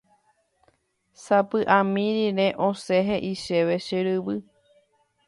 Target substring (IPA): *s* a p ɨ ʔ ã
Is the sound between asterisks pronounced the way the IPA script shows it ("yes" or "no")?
yes